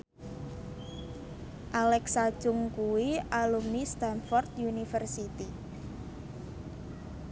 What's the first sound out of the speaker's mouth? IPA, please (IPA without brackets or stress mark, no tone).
ʔ